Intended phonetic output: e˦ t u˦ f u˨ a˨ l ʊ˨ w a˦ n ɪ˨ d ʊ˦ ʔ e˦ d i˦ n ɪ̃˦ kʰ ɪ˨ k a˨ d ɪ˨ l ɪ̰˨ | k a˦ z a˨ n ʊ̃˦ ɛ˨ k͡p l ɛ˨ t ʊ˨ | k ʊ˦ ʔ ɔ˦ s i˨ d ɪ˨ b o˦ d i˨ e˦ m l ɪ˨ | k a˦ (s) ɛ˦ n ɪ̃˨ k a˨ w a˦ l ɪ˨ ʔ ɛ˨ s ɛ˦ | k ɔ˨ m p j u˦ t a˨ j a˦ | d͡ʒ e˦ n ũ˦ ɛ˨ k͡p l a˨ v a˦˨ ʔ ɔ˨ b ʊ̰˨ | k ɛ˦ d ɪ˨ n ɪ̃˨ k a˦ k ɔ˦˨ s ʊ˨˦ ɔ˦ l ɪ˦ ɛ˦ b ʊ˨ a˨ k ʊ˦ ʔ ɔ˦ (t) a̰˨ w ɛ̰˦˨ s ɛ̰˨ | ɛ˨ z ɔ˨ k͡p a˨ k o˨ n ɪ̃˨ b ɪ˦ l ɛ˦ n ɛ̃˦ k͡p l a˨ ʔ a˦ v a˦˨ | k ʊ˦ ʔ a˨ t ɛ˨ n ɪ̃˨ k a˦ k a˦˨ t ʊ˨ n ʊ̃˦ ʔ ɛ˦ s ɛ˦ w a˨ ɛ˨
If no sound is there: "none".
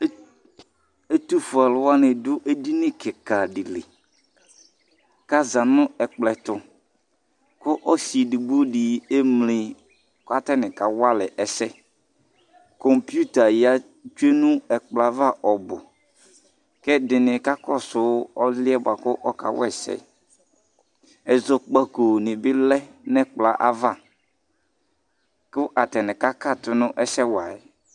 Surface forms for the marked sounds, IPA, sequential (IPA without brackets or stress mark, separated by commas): t, k